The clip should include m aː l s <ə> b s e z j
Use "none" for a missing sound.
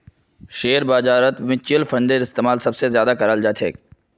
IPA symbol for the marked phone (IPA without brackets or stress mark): ɐ